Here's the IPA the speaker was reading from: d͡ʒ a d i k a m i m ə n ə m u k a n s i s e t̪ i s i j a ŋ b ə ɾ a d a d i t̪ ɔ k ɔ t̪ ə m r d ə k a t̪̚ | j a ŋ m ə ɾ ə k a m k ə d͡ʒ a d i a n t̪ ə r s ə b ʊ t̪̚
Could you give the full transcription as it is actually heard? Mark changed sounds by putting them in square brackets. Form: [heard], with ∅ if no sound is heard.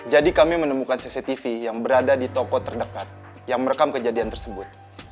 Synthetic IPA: d͡ʒ a d i k a m i m ə n ə m u k a n s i s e t̪ i [f] i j a ŋ b ə ɾ a d a d i t̪ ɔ k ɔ t̪ ə [∅] r d ə k a t̪̚ | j a ŋ m ə ɾ ə k a m k ə d͡ʒ a d i a n t̪ ə r s ə b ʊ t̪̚